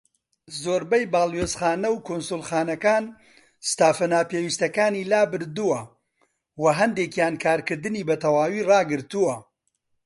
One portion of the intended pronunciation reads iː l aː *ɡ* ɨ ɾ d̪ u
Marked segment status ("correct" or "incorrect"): incorrect